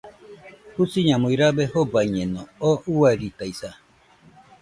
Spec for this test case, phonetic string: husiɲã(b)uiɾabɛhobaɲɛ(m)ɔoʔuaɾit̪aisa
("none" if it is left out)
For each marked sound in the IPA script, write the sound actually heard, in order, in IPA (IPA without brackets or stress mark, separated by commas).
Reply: m, n